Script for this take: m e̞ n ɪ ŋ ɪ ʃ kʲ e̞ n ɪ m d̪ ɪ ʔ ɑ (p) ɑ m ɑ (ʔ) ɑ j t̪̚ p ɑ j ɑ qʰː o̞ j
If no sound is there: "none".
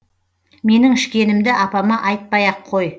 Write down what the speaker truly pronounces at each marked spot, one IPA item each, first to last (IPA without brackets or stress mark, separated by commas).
p, ʔ